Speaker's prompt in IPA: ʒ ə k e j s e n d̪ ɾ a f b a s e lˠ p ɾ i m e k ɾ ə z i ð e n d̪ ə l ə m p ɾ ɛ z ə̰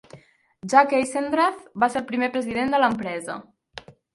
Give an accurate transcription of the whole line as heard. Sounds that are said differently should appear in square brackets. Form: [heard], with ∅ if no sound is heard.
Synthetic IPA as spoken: ʒ [a] k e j s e n d̪ ɾ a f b a s e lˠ p ɾ i m e [p] ɾ ə z i ð e n d̪ ə l ə m p ɾ ɛ z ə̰